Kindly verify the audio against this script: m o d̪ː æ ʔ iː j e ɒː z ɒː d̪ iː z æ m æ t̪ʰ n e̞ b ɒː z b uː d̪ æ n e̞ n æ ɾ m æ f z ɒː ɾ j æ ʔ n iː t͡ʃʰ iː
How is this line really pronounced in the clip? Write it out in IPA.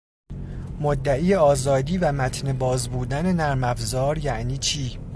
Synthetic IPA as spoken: m o d̪ː æ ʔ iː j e ɒː z ɒː d̪ iː v æ m æ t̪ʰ n e̞ b ɒː z b uː d̪ æ n e̞ n æ ɾ m æ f z ɒː ɾ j æ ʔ n iː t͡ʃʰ iː